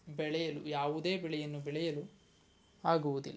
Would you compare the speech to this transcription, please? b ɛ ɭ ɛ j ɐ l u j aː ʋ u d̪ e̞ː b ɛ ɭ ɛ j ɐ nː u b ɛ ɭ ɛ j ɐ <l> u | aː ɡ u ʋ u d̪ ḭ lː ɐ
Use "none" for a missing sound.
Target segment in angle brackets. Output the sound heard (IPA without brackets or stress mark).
l